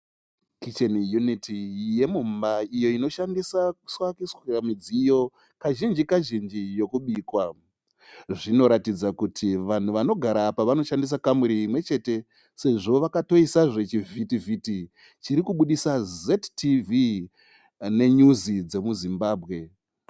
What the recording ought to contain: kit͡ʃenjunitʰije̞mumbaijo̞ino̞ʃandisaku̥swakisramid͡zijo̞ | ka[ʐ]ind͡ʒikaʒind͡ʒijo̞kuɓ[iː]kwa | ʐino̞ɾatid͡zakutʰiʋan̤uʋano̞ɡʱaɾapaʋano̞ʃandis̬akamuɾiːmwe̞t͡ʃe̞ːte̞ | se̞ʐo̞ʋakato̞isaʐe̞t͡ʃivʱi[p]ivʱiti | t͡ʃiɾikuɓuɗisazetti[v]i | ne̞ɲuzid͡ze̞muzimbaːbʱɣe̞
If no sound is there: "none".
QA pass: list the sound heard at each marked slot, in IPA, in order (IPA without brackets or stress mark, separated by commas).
ʒ, iː, t, v